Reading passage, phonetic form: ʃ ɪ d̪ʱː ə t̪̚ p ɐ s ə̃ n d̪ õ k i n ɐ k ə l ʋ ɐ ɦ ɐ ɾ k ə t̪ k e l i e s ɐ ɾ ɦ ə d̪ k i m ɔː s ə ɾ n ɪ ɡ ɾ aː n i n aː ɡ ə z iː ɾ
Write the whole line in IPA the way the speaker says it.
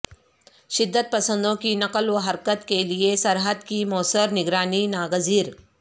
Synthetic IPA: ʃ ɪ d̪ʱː ə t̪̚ p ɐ s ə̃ n d̪ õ k i n ɐ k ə l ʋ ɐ ɦ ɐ ɾ k ə t̪ k e l i e s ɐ ɾ ɦ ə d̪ k i m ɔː s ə ɾ n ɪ ɡ ɾ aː n i n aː ɡ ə z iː ɾ